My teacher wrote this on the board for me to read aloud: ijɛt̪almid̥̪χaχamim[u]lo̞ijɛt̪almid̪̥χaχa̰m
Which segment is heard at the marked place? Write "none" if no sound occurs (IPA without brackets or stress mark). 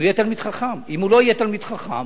u